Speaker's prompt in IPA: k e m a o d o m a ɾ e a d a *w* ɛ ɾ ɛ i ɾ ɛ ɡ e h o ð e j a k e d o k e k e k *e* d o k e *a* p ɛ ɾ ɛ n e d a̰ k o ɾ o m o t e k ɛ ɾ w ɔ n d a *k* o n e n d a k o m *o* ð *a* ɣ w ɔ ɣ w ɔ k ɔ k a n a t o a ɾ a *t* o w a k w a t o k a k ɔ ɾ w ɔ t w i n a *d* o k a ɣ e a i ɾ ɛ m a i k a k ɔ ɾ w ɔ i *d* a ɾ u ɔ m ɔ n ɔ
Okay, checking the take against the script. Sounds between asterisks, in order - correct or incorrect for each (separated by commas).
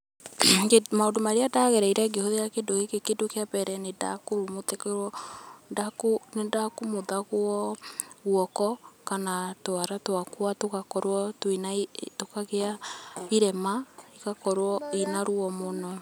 incorrect, correct, correct, correct, correct, correct, correct, incorrect, incorrect